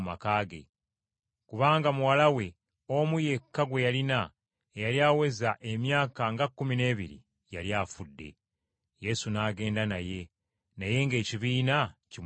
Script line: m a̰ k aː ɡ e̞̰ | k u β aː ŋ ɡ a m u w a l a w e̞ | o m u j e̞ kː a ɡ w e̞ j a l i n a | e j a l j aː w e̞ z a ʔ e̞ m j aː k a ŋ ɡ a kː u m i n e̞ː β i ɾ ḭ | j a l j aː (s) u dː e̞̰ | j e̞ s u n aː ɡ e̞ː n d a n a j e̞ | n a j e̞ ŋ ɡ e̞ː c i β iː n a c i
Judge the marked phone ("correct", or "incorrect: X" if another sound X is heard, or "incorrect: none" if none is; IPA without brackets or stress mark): incorrect: f